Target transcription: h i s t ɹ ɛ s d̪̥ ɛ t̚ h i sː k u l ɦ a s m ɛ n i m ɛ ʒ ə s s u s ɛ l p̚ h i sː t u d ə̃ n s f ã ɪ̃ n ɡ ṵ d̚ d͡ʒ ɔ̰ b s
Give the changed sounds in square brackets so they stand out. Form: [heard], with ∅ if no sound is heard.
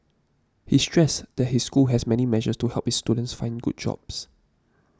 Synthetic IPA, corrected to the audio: h i s t ɹ ɛ s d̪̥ ɛ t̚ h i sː k u l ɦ [ɛ] s m ɛ n i m ɛ ʒ ə s [t] u [h] ɛ l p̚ h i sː t u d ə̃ n s f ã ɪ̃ n ɡ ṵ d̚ d͡ʒ ɔ̰ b s